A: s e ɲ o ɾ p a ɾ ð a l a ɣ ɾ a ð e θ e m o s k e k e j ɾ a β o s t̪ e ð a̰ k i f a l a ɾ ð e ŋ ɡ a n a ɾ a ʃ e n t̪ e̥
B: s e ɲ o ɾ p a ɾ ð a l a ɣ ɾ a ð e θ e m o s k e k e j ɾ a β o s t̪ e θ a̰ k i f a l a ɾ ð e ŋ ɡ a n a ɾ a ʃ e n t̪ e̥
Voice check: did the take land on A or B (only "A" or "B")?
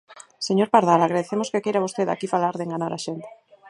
A